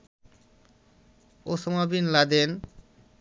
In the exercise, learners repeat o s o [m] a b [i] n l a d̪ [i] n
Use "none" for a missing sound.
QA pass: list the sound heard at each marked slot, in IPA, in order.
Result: m, i, e

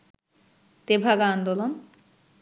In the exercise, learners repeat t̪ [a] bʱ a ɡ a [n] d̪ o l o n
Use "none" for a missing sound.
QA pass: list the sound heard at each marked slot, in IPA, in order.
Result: e, n

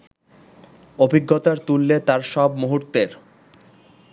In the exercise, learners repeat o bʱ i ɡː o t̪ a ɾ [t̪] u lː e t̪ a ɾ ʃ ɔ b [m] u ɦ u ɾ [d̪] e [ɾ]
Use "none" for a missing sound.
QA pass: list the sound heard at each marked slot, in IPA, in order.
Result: t̪, m, t̪, ɾ

